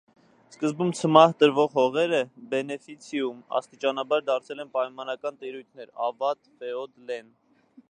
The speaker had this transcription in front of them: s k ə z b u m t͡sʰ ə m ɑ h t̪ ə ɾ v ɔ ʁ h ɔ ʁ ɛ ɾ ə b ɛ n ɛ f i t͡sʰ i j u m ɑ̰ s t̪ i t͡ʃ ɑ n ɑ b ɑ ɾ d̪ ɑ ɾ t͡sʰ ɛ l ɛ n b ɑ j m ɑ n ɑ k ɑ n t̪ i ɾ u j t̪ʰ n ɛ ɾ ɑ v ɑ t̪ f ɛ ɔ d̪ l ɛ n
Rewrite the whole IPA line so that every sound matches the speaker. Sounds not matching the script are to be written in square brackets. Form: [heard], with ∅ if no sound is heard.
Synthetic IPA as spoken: s k ə z b u m t͡sʰ ə m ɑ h t̪ ə ɾ v ɔ ʁ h ɔ ʁ ɛ ɾ ə b ɛ n ɛ f i t͡sʰ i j u m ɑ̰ s t̪ i t͡ʃ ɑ n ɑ b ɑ ɾ d̪ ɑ ɾ t͡sʰ ɛ l ɛ n [p] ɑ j m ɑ n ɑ k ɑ n t̪ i ɾ u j t̪ʰ n ɛ ɾ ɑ v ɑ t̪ f ɛ ɔ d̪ l ɛ n